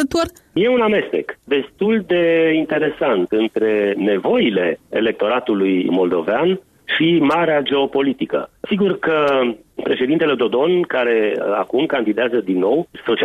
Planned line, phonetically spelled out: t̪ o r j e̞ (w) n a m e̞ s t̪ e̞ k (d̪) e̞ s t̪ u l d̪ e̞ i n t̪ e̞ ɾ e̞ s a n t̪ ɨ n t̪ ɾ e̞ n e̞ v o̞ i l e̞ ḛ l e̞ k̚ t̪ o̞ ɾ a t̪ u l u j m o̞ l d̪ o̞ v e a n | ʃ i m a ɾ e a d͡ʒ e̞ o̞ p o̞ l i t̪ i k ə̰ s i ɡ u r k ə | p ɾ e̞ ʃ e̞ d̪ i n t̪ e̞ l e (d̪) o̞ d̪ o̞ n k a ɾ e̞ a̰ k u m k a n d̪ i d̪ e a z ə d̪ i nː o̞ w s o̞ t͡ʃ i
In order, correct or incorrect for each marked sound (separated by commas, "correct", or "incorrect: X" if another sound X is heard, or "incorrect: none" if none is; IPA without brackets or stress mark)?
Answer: incorrect: u, correct, correct